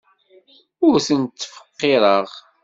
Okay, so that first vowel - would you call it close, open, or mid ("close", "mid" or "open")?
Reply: close